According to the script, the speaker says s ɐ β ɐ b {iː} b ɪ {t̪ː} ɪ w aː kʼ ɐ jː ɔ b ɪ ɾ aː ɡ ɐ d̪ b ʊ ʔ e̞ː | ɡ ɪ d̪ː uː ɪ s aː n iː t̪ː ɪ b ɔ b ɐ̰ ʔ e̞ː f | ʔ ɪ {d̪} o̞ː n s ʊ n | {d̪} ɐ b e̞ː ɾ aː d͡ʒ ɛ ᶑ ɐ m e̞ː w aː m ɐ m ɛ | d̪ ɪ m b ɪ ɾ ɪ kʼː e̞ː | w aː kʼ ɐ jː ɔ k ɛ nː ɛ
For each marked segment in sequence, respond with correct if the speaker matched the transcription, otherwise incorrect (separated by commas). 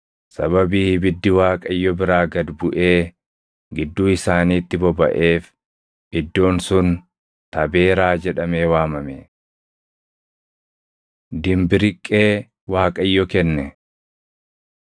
correct, incorrect, incorrect, incorrect